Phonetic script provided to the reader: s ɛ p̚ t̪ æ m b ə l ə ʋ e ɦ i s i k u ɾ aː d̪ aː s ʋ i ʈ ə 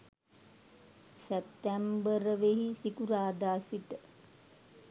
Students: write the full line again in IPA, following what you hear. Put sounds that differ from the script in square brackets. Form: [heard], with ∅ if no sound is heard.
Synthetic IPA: s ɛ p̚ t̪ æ m b ə [ɾ] ə ʋ e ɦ i s i k u ɾ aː d̪ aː s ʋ i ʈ ə